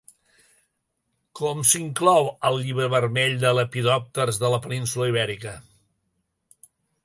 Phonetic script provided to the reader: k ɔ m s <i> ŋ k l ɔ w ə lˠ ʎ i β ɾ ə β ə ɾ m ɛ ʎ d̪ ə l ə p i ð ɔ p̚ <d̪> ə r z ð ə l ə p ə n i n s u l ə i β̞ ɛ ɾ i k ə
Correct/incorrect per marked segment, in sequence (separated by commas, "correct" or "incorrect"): correct, incorrect